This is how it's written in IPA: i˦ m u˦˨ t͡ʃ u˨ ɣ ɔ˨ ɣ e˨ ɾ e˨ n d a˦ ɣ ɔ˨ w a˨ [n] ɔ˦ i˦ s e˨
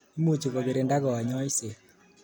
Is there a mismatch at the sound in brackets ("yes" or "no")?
yes